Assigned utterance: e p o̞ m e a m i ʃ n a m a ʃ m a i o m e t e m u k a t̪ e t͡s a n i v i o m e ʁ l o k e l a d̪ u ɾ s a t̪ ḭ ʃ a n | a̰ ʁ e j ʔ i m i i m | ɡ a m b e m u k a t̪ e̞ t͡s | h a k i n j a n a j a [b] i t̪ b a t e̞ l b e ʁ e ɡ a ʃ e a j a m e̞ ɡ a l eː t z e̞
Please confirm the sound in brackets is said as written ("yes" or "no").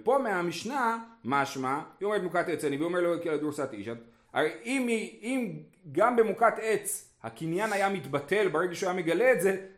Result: no